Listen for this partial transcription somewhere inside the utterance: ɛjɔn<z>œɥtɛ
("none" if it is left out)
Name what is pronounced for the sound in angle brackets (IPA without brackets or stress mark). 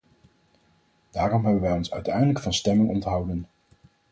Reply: s